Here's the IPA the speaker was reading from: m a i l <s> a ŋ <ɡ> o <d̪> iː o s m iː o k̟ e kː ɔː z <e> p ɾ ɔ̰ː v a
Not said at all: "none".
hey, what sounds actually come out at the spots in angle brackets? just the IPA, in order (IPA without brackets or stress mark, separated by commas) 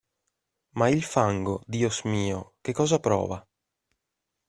f, ɡ, d̪, a